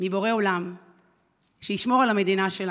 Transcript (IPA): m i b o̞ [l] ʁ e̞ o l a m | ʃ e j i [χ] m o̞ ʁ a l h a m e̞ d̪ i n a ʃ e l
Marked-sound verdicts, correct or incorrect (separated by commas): incorrect, incorrect